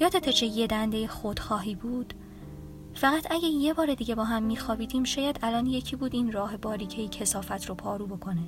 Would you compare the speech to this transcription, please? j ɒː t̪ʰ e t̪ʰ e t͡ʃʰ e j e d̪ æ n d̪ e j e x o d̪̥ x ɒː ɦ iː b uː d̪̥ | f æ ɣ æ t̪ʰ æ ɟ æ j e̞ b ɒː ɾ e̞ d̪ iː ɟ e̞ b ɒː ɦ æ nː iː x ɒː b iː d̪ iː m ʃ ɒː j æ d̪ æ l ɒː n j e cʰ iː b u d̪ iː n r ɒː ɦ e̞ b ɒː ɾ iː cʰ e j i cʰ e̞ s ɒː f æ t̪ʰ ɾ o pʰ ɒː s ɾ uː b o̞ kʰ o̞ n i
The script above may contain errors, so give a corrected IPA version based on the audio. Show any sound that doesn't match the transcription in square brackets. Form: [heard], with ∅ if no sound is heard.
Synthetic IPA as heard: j ɒː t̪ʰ e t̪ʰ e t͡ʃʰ e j e d̪ æ n d̪ e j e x o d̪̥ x ɒː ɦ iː b uː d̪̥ | f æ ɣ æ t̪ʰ æ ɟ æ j e̞ b ɒː ɾ e̞ d̪ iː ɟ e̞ b ɒː ɦ æ [mː] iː x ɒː b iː d̪ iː m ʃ ɒː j æ d̪ æ l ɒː n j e cʰ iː b [uː] d̪ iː n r ɒː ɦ e̞ b ɒː ɾ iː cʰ e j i cʰ e̞ s ɒː f æ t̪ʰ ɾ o pʰ ɒː [∅] ɾ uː b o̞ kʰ o̞ n [e]